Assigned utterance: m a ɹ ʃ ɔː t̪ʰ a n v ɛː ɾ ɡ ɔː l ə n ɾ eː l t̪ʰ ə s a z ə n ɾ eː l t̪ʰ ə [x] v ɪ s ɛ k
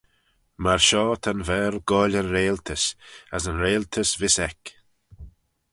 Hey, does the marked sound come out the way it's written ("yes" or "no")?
no